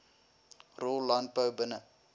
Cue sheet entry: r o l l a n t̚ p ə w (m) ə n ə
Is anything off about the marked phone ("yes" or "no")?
yes